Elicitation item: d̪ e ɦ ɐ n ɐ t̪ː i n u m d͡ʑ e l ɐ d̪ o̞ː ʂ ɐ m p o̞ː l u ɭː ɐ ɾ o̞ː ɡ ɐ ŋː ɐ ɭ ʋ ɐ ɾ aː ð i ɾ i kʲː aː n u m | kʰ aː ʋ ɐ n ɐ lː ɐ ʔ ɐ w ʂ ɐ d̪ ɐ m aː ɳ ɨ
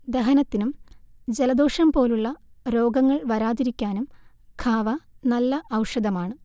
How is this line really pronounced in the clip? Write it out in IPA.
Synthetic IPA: d̪ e ɦ ɐ n ɐ t̪ː i n u m d͡ʑ e l ɐ d̪ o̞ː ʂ ɐ m p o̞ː l u ɭː ɐ ɾ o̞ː ɡ ɐ ŋː ɐ ɭ ʋ ɐ ɾ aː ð i ɾ i kʲː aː n u m | kʰ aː ʋ ɐ n ɐ lː ɐ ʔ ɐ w ʂ ɐ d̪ ɐ m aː ɳ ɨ